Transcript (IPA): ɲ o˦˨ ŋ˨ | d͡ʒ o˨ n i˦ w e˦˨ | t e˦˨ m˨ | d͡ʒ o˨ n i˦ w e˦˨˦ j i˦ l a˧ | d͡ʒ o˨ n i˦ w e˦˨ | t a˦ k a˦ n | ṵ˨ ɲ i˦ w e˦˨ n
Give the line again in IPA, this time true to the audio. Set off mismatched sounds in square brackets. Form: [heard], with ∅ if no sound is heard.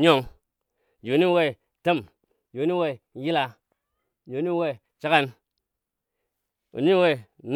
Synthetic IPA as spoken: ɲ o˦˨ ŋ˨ | d͡ʒ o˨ n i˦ w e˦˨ | t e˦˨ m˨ | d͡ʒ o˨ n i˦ w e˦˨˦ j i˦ l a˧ | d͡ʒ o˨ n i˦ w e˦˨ | [t͡ʃ] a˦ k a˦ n | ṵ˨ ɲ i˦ w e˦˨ n